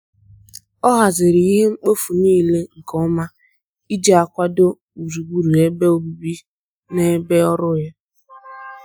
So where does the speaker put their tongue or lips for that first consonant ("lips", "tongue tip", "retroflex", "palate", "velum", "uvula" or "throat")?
throat